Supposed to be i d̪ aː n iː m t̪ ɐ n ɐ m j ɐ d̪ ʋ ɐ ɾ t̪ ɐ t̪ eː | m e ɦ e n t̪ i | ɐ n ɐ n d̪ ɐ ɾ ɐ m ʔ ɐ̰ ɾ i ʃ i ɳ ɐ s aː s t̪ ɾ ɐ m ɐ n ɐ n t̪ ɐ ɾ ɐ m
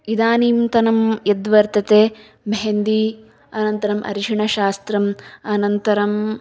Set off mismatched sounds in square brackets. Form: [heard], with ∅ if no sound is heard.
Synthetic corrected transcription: i d̪ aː n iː m t̪ ɐ n ɐ m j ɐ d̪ ʋ ɐ ɾ t̪ ɐ t̪ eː | m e ɦ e n [d̪] i | ɐ n ɐ n [t̪] ɐ ɾ ɐ m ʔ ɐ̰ ɾ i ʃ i ɳ ɐ [ʃ] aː s t̪ ɾ ɐ m ɐ n ɐ n t̪ ɐ ɾ ɐ m